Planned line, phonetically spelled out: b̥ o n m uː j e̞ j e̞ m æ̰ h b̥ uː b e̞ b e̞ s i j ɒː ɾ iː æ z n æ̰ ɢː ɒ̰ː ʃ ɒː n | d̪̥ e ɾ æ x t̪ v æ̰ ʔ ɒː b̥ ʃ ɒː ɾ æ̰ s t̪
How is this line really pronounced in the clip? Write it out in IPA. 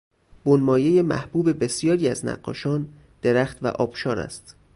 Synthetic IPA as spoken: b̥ o n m ɒː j e̞ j e̞ m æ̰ h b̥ uː b e̞ b e̞ s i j ɒː ɾ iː æ z n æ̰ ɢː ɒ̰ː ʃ ɒː n | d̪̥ e ɾ æ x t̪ v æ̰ ʔ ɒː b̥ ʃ ɒː ɾ æ̰ s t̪

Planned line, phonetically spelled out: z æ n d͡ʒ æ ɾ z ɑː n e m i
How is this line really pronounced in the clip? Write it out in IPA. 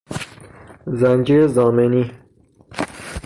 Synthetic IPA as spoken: z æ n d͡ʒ i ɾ z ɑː m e n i

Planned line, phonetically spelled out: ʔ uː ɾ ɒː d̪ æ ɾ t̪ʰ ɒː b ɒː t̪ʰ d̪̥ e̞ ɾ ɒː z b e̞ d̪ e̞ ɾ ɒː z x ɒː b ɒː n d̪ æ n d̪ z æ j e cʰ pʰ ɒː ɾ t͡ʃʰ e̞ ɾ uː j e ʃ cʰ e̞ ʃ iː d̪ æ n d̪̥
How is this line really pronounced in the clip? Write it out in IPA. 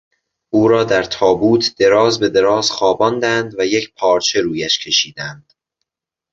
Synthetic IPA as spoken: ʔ uː ɾ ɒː d̪ æ ɾ t̪ʰ ɒː b uː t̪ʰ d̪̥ e̞ ɾ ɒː z b e̞ d̪ e̞ ɾ ɒː z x ɒː b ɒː n d̪ æ n d̪ v æ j e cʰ pʰ ɒː ɾ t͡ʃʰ e̞ ɾ uː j æ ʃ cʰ e̞ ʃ iː d̪ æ n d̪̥

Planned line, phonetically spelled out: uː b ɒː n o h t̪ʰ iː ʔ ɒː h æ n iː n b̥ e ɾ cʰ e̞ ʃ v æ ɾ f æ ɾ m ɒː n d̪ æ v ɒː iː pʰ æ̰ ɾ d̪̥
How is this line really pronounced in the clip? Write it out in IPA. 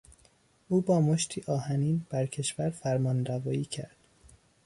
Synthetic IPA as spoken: uː b ɒː m o ʃ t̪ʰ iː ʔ ɒː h æ n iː n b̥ æ ɾ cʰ e̞ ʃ v æ ɾ f æ ɾ m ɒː n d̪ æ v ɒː iː cʰ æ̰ ɾ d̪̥

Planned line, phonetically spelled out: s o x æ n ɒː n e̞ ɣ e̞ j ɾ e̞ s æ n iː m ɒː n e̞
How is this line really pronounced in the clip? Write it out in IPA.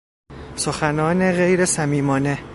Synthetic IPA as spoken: s o x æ n ɒː n e̞ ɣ e̞ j ɾ e̞ s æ m iː m ɒː n e̞

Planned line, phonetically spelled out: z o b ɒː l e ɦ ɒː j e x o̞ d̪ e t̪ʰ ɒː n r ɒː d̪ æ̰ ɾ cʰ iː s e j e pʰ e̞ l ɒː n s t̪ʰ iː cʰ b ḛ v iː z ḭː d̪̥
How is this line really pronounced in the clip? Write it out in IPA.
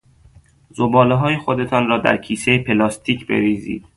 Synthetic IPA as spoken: z o b ɒː l e ɦ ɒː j e x o̞ d̪ e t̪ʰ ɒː n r ɒː d̪ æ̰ ɾ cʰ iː s e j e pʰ e̞ l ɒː s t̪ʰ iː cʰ b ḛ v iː z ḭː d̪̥

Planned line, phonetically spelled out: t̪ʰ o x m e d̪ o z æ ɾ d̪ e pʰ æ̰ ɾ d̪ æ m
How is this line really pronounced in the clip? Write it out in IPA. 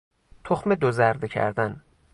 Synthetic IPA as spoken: t̪ʰ o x m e d̪ o z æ ɾ d̪ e cʰ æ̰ ɾ d̪ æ n

